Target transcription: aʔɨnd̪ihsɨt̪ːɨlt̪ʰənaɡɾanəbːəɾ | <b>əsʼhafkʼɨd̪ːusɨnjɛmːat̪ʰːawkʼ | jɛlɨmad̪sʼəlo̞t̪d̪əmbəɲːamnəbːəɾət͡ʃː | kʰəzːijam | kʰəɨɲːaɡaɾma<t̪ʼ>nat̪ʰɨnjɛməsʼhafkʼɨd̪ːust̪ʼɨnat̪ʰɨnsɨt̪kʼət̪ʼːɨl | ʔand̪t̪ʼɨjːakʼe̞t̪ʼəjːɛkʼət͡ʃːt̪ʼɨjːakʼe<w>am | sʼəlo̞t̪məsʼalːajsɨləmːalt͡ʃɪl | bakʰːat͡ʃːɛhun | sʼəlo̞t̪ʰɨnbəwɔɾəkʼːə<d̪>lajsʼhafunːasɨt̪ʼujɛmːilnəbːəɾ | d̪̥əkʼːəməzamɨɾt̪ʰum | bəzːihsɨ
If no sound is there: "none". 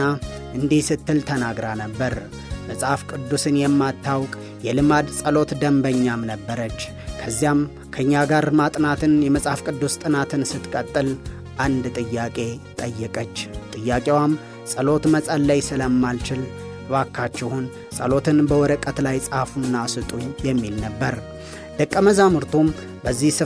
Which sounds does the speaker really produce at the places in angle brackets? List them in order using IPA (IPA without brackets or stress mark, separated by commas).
m, t̪ʼ, w, t̪